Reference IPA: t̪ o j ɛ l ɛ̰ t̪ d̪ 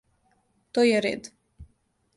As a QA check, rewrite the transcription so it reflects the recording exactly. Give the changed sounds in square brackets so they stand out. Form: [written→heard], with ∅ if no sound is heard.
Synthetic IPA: t̪ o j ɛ [l→ɾ] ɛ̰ [t̪→∅] d̪